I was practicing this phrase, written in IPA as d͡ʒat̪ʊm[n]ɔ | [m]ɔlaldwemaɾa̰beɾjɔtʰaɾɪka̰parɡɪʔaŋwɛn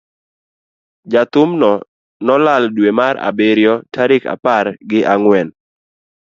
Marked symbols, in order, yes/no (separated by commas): yes, no